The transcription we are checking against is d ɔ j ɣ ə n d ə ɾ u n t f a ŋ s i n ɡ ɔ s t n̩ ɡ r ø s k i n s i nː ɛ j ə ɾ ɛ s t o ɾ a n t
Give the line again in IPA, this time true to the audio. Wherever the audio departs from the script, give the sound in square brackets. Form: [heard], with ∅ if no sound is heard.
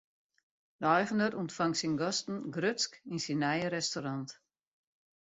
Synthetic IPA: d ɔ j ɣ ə n d ə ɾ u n t f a ŋ s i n ɡ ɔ s t n̩ ɡ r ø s k i n s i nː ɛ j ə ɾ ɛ s t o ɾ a n t